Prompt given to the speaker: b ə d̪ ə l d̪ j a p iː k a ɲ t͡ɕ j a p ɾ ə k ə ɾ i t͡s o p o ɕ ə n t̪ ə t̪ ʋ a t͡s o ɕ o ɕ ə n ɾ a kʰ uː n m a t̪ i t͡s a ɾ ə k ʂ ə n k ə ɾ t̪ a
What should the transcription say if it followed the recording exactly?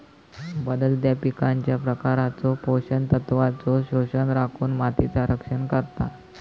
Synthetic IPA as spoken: b ə d̪ ə l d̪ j a p i k a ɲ t͡ɕ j a p ɾ ə k a ɾ a t͡s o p o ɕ ə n t̪ ə t̪ ʋ a t͡s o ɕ o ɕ ə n ɾ a kʰ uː n m a t̪ i t͡s a ɾ ə k ʂ ə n k ə ɾ t̪ a